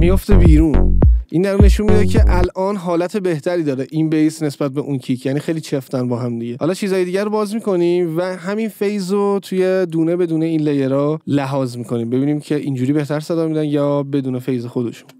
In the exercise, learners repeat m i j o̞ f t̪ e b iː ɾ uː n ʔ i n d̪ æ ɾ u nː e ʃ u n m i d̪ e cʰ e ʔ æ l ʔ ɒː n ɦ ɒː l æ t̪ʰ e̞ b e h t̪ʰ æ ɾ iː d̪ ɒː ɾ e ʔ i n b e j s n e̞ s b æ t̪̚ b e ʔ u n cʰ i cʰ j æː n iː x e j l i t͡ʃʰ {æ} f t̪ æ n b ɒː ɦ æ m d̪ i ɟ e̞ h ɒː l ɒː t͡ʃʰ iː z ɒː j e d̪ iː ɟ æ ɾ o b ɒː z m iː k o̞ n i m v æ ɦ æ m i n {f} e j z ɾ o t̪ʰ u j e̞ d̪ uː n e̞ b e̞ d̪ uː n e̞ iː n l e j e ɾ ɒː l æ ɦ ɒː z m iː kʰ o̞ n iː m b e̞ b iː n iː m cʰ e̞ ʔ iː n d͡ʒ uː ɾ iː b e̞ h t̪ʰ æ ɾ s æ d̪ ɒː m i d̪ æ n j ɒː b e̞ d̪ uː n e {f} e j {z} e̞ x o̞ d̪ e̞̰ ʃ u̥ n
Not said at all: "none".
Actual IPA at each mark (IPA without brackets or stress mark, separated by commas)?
e, f, f, z